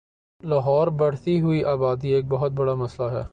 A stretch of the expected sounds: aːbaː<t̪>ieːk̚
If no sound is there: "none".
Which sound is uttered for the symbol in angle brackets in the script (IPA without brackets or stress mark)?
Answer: d̪